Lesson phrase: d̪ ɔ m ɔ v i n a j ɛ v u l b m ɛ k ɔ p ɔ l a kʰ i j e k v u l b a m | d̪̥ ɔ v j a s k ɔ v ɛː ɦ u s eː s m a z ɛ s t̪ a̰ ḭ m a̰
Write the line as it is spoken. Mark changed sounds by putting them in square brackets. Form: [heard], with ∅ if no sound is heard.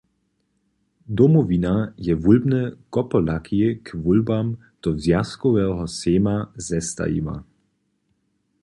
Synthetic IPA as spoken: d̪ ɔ m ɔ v i n a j ɛ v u l b [n] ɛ k ɔ p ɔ l a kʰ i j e k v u l b a m | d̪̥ ɔ [z] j a s k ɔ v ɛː ɦ [ɔ] s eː [∅] m a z ɛ s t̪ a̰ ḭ m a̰